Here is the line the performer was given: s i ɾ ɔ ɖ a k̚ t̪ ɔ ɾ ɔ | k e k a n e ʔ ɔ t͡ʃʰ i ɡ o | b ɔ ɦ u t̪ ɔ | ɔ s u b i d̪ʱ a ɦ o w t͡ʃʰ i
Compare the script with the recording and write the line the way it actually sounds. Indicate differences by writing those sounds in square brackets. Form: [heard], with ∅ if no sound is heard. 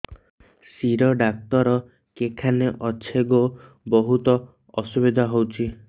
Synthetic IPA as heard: s i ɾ ɔ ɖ a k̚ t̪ ɔ ɾ ɔ | k e [kʰ] a n e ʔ ɔ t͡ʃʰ [e] ɡ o | b ɔ ɦ u t̪ ɔ | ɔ s u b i d̪ʱ a ɦ o w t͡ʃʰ i